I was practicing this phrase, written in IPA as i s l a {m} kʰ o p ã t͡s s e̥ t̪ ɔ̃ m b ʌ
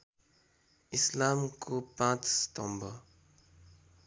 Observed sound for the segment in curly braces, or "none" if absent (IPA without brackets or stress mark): m